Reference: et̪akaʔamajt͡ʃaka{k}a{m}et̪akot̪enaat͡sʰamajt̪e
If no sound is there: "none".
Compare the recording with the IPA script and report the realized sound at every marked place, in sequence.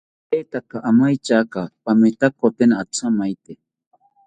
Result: p, m

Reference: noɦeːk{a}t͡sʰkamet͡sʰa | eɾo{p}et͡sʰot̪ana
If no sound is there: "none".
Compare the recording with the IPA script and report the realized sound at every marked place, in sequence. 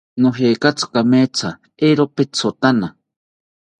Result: a, p

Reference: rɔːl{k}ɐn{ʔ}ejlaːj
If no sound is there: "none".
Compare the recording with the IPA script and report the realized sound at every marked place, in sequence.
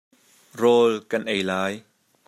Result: k, ʔ

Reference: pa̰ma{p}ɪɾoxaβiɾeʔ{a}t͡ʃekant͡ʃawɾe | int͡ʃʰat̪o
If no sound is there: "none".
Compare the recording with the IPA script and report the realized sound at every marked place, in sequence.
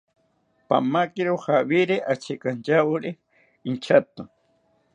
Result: k, a

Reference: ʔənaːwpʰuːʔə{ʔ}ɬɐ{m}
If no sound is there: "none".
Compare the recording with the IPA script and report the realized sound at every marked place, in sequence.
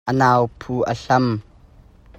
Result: none, m

